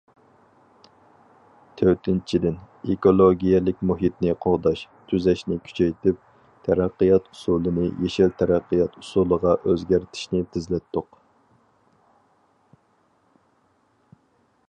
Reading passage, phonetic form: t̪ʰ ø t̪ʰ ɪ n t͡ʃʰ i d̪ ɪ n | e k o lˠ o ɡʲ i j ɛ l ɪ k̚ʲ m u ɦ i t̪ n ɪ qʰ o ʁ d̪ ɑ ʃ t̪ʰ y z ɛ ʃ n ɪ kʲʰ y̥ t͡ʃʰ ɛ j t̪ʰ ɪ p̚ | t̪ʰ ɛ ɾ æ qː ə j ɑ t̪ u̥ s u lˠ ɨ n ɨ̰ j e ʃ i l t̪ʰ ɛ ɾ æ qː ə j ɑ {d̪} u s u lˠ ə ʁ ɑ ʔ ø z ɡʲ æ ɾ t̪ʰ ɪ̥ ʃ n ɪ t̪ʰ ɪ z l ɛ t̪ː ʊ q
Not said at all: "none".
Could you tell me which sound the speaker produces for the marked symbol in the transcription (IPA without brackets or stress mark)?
t̪